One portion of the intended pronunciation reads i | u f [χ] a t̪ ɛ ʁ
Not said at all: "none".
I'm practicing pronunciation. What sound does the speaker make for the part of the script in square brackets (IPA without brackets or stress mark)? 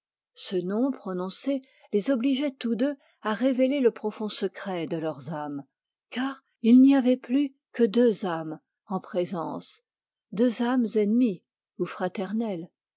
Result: χ